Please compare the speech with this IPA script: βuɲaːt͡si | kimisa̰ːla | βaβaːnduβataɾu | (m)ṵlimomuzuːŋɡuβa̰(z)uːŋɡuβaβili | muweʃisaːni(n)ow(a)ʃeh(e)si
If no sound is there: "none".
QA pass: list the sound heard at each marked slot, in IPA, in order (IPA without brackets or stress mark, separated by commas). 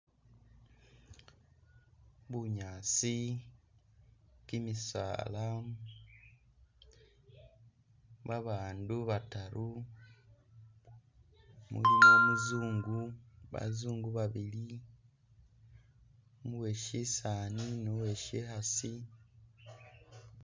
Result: m, z, n, e, a